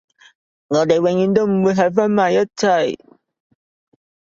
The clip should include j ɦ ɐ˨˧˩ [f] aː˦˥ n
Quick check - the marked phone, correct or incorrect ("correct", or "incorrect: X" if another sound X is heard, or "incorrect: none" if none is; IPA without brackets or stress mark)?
correct